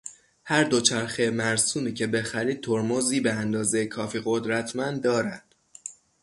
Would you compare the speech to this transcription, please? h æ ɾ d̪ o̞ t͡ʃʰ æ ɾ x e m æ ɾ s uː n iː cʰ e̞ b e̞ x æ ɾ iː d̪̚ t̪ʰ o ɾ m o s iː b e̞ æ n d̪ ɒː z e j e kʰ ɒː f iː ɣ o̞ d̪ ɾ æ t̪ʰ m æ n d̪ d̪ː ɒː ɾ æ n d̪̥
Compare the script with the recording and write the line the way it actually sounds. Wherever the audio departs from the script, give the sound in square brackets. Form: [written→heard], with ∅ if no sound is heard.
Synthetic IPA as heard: h æ ɾ d̪ o̞ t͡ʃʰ æ ɾ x e m æ ɾ s uː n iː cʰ e̞ b e̞ x æ ɾ iː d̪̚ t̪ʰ o ɾ m o [s→z] iː b e̞ æ n d̪ ɒː z e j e kʰ ɒː f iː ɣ o̞ d̪ ɾ æ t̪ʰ m æ n d̪ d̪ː ɒː ɾ æ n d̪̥